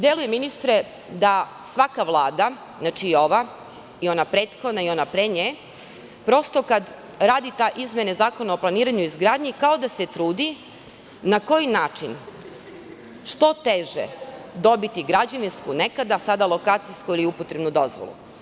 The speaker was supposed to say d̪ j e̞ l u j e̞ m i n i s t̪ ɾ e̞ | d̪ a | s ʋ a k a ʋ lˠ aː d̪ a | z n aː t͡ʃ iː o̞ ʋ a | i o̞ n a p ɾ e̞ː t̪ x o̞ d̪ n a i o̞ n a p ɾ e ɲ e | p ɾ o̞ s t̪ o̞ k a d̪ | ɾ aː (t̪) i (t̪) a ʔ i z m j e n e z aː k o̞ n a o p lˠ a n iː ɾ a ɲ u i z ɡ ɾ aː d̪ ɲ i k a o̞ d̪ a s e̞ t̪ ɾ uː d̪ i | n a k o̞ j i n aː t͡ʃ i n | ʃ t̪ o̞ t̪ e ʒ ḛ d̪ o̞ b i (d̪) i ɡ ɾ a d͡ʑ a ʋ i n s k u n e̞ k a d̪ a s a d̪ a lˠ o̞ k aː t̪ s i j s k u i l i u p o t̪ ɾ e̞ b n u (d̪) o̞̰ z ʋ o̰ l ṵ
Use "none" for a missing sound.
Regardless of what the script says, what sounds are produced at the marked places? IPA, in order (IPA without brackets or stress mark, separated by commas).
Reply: d̪, t̪, t̪, d̪